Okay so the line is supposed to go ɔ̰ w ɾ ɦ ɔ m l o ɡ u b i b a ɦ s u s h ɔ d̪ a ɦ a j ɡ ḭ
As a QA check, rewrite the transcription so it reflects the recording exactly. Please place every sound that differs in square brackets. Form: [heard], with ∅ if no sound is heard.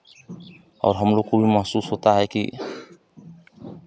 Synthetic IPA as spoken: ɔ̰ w ɾ ɦ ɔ m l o [k] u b i [m] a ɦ s u s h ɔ [t̪] a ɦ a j [k] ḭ